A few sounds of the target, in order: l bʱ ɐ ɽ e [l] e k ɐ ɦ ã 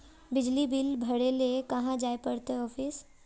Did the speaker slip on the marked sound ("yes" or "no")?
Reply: no